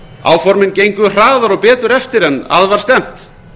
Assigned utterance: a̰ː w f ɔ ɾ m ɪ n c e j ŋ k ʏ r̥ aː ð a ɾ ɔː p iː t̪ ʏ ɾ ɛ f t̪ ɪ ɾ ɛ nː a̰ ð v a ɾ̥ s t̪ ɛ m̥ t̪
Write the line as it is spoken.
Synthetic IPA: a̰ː w f ɔ ɾ m ɪ n c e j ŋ k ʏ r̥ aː ð a ɾ ɔ p ɛː t̪ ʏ ɾ ɛ f t̪ ɪ ɾ ɛ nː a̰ ð v a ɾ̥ s t̪ ɛ m̥ t̪